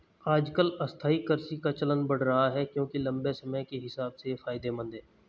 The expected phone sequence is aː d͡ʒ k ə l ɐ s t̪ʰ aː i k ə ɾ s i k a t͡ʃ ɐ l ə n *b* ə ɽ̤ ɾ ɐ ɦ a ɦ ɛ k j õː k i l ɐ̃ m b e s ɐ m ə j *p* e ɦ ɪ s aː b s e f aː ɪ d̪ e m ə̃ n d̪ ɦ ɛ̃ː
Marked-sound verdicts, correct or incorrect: correct, incorrect

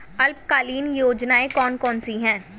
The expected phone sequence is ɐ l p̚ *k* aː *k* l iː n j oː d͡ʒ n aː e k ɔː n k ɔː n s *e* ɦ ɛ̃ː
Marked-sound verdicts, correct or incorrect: correct, incorrect, incorrect

